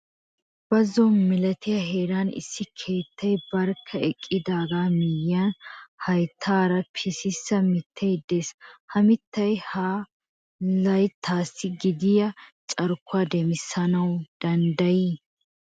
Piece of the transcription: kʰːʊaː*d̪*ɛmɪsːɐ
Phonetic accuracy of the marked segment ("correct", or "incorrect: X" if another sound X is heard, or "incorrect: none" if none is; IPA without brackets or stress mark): correct